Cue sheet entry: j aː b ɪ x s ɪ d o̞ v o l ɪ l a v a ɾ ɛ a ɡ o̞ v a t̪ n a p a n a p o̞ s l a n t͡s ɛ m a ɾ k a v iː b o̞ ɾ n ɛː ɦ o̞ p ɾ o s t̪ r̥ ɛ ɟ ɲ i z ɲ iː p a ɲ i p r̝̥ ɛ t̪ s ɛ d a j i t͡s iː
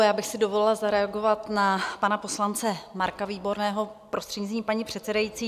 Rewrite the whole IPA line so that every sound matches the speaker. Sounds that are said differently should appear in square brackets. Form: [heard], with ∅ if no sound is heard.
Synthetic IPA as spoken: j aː b ɪ x s ɪ d o̞ v o l ɪ l a [z] a ɾ ɛ a ɡ o̞ v a t̪ n a p a n a p o̞ s l a n t͡s ɛ m a ɾ k a v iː b o̞ ɾ n ɛː ɦ o̞ p ɾ o s t̪ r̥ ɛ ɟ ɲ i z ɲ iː p a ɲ i p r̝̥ ɛ t̪ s ɛ d a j i t͡s iː